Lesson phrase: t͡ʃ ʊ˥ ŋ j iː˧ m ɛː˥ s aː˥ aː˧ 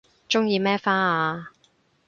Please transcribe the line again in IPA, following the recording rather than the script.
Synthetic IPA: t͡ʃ ʊ˥ ŋ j iː˧ m ɛː˥ f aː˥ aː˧